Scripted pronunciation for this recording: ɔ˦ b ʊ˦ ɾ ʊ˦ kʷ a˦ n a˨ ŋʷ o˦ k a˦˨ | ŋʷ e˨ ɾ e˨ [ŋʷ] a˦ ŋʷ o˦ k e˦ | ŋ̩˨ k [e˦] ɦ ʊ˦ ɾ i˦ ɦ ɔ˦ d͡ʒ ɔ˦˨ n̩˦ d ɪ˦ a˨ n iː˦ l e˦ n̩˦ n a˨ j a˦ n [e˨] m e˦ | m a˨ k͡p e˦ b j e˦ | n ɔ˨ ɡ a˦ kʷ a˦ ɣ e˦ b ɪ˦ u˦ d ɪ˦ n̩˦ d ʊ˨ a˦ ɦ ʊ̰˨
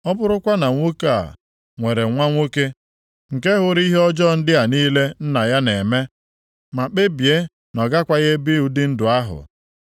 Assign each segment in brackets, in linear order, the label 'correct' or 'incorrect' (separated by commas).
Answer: correct, correct, correct